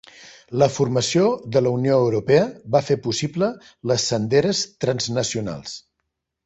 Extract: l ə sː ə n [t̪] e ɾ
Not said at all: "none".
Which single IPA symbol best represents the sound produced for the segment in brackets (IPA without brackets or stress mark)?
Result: d̪